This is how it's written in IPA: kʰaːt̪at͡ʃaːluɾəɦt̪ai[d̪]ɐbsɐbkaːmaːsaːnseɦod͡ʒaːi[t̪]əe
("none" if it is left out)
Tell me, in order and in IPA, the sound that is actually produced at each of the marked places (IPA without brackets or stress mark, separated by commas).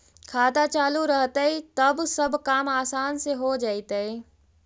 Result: t̪, t̪